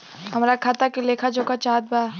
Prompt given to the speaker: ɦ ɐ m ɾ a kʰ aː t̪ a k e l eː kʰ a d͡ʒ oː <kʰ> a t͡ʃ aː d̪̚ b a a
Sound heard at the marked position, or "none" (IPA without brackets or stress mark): k